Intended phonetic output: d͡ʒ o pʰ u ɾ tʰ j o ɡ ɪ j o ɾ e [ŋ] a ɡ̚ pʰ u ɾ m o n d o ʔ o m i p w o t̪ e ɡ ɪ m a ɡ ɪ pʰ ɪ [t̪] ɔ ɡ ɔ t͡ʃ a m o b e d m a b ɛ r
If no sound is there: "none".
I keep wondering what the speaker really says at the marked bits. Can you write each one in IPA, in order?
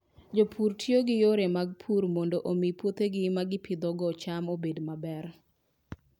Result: m, d̪

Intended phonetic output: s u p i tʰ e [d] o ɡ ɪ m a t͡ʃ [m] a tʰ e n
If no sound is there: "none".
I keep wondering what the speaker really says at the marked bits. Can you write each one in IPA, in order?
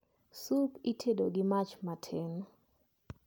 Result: d, m

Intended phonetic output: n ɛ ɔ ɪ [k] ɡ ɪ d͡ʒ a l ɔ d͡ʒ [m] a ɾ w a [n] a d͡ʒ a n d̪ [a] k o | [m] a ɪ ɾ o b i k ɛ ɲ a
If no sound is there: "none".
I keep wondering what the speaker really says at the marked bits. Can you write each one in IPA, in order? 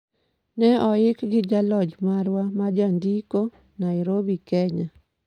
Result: k, m, m, i, n

